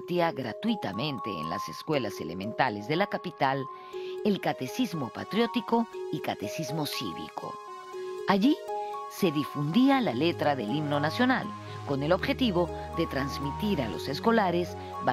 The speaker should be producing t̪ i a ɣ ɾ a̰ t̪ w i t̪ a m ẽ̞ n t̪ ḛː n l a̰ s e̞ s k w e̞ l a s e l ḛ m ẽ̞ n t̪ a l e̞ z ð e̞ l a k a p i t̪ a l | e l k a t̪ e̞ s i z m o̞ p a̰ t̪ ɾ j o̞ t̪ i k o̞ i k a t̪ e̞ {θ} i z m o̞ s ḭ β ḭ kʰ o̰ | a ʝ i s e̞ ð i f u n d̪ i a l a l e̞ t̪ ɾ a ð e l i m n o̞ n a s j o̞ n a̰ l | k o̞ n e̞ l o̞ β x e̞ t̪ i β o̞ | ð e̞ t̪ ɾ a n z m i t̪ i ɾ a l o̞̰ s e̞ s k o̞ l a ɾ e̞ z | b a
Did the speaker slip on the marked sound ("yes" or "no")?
yes